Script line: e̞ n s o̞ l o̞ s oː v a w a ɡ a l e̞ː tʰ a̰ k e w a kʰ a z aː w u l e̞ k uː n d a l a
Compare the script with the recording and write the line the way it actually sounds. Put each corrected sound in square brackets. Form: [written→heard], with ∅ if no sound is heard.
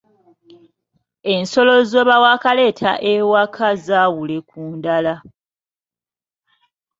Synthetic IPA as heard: e̞ n s o̞ l o̞ [s→z] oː [v→β] a w a [ɡ→k] a l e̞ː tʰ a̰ [k→ʔ] e w a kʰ a z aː w u l e̞ k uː n d a l a